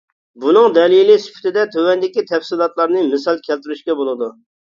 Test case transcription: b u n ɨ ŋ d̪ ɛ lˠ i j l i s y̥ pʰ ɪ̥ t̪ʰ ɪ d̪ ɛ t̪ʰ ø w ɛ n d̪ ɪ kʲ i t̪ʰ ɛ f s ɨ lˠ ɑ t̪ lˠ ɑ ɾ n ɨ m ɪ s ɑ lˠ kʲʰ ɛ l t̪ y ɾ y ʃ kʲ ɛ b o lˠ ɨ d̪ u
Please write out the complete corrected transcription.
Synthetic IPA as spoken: b u n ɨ ŋ d̪ ɛ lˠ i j l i s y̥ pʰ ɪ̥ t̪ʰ ɪ d̪ ɛ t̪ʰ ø w ɛ n d̪ ɪ kʲ i t̪ʰ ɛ f s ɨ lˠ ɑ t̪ lˠ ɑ ɾ n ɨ m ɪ s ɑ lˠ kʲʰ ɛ l t̪ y ɾ y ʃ kʲ ɛ b o lˠ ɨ d̪ u